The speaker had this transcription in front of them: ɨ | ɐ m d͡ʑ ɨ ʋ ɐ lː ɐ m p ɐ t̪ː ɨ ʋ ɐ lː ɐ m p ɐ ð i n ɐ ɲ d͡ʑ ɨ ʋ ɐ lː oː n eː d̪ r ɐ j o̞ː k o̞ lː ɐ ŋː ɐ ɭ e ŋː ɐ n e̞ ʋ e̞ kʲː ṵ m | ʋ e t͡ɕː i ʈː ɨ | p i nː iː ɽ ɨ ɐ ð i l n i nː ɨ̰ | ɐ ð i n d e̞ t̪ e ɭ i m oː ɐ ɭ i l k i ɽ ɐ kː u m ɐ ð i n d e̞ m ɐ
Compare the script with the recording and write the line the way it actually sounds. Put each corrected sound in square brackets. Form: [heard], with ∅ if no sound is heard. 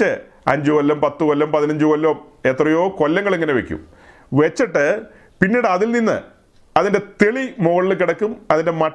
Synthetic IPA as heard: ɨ | ɐ [ɲ] d͡ʑ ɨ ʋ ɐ lː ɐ m p ɐ t̪ː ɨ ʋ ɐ lː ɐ m p ɐ ð i n ɐ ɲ d͡ʑ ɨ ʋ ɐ lː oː [m] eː [t̪] r ɐ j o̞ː k o̞ lː ɐ ŋː ɐ ɭ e ŋː ɐ n e̞ ʋ e̞ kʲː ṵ m | ʋ e t͡ɕː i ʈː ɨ | p i nː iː ɽ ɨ ɐ ð i l n i nː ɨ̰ | ɐ ð i n d e̞ t̪ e ɭ i m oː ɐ ɭ i l k i ɽ ɐ kː u m ɐ ð i n d e̞ m ɐ